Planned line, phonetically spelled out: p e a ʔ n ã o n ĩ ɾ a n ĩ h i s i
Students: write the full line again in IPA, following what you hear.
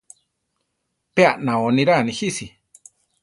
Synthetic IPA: p e a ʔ n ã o n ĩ ɾ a n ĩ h i s i